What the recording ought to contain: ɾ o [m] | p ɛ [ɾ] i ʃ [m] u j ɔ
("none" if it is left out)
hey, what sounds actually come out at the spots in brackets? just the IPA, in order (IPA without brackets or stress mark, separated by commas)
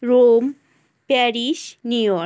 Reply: m, ɾ, n